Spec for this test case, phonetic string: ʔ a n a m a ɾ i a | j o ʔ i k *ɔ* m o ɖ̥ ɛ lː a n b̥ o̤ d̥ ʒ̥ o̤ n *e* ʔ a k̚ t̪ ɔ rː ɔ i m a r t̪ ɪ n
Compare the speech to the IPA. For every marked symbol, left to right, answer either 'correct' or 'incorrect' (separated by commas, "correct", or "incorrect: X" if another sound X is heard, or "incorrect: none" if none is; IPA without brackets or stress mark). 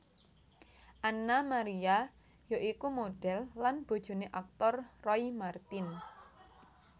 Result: incorrect: u, correct